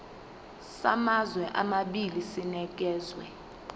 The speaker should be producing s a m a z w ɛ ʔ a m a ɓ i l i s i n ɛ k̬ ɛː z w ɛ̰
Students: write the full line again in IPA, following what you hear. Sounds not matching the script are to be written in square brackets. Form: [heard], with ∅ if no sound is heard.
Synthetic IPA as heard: s a m a z w ɛ ʔ a m a ɓ i l i s i n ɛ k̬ ɛː z w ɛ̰